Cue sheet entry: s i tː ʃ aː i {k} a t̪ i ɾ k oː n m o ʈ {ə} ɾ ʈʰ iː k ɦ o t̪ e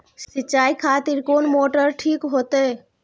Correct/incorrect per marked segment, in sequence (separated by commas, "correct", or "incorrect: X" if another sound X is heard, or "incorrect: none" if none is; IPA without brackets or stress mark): incorrect: kʰ, correct